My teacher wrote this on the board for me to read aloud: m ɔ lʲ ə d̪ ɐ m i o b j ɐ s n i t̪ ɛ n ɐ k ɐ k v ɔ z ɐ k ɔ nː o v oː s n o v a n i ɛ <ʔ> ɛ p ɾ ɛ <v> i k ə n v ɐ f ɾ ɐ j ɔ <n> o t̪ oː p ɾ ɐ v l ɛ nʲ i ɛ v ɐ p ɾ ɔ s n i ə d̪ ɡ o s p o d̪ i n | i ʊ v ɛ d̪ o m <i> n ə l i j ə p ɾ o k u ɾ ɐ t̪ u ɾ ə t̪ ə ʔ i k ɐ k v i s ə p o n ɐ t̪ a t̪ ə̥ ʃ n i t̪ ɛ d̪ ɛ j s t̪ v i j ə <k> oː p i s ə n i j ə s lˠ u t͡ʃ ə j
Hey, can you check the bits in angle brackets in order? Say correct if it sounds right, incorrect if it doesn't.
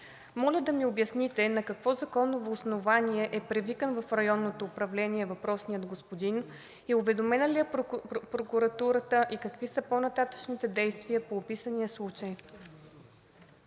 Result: correct, correct, incorrect: nː, incorrect: ɛ, incorrect: p

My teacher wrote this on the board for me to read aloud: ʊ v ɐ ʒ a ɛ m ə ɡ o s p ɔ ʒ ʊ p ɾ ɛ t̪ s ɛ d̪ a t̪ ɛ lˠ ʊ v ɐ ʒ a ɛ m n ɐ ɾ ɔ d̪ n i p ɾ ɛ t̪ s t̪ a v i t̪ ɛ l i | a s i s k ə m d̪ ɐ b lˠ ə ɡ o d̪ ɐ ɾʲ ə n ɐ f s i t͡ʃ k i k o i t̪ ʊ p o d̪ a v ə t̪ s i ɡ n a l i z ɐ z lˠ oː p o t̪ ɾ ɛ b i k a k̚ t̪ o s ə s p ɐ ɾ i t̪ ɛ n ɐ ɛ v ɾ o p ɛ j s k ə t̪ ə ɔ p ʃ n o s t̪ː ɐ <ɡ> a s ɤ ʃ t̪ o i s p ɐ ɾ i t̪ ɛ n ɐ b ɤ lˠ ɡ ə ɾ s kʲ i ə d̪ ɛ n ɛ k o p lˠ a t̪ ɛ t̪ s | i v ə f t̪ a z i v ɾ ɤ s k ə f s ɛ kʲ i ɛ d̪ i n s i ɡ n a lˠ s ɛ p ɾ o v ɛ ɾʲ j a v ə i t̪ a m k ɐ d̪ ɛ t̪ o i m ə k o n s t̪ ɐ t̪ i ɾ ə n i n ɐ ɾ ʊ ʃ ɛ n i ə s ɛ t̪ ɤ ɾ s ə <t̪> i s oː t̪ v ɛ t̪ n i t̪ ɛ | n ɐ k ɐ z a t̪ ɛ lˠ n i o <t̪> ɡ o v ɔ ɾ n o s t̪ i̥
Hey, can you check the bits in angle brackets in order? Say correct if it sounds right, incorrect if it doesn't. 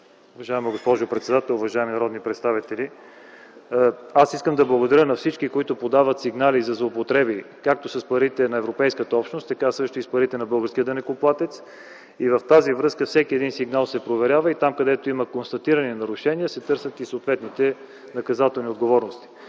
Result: incorrect: k, correct, incorrect: d̪

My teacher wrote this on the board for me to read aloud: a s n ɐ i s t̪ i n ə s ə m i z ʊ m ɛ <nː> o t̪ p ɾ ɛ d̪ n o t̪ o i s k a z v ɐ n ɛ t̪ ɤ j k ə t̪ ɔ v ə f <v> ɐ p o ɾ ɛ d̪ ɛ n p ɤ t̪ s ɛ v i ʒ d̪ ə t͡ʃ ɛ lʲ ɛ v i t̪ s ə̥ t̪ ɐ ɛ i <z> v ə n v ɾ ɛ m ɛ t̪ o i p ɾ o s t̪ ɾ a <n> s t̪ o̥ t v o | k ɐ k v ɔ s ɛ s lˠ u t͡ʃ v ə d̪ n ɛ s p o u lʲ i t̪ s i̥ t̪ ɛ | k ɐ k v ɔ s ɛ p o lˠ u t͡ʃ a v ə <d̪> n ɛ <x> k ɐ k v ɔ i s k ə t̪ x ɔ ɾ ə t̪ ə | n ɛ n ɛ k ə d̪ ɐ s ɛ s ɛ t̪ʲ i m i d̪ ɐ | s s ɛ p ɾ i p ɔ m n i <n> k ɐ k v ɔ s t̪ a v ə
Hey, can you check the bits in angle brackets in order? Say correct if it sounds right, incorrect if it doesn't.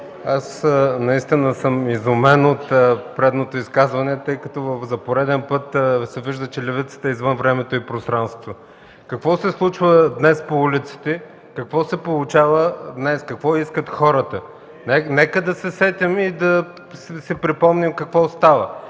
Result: incorrect: n, incorrect: z, correct, correct, correct, incorrect: s, incorrect: m

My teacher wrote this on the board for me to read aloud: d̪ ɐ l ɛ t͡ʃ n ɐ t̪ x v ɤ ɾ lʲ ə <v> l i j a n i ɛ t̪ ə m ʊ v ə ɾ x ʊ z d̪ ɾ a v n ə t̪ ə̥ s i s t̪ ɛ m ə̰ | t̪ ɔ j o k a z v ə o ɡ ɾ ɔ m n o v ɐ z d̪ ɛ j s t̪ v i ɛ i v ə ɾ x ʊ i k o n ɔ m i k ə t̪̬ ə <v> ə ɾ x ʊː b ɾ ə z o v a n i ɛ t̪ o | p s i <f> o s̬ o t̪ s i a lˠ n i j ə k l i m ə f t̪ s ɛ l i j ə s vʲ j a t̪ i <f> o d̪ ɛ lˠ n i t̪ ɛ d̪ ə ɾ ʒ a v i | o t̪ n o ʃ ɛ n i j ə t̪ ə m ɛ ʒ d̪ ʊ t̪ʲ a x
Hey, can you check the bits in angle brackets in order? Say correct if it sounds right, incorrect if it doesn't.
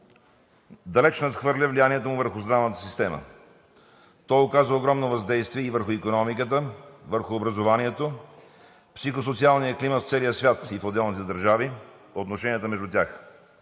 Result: correct, correct, incorrect: x, correct

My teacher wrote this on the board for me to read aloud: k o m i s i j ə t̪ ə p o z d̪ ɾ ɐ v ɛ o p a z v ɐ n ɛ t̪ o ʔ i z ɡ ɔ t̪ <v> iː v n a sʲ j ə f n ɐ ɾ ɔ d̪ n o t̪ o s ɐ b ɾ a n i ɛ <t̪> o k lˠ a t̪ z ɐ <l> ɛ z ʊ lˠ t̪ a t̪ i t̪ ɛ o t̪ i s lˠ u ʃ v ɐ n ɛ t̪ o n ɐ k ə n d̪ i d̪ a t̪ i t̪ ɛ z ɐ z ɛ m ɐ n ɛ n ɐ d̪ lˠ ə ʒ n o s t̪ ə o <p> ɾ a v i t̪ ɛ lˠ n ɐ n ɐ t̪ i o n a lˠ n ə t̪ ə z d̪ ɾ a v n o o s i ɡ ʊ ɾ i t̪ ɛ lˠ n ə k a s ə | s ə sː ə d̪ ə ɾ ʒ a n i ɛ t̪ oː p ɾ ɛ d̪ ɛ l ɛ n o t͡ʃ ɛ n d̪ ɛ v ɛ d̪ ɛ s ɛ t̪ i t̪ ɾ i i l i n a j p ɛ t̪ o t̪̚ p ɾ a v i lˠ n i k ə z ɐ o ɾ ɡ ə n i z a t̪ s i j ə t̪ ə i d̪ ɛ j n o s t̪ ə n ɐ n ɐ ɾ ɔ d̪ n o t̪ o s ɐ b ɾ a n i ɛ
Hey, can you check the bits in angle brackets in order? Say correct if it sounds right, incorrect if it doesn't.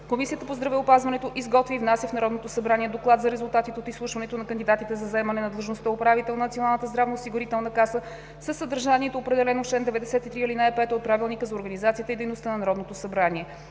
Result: correct, incorrect: d̪, incorrect: ɾ, correct

